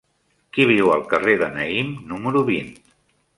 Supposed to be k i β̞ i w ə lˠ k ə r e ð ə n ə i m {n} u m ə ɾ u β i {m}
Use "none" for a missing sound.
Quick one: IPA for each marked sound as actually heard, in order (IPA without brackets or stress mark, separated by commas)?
n, n